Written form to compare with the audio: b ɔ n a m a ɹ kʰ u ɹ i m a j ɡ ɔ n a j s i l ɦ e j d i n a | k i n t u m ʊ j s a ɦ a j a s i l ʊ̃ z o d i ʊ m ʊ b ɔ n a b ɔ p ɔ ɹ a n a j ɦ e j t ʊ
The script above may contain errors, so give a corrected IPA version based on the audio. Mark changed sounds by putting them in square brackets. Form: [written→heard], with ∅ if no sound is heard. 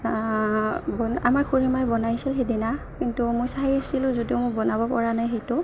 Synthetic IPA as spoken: b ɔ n a m a ɹ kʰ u ɹ i m a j [ɡ→b] ɔ n a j s i l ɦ e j d i n a | k i n t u m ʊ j s a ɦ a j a s i l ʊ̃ z o d i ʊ m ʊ b ɔ n a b ɔ p ɔ ɹ a n a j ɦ e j t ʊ